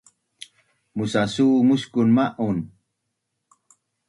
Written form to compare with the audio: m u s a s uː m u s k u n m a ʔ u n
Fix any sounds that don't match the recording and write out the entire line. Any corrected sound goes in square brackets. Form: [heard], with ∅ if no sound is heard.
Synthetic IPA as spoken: m u s a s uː m u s k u n m a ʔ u n